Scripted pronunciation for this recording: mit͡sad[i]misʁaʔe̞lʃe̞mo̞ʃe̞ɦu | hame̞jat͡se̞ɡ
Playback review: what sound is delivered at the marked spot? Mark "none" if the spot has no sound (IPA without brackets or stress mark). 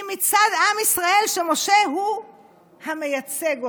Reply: a